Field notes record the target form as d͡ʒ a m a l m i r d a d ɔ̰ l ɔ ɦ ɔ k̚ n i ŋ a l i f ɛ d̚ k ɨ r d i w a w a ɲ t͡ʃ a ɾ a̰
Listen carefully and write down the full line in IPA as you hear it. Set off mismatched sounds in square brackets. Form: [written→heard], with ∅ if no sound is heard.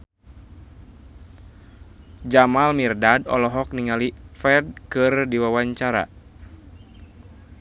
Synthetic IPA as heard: d͡ʒ a m a l m i r d a d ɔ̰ l ɔ ɦ ɔ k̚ n i ŋ a l i f ɛ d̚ k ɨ r d i w a w a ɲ t͡ʃ a ɾ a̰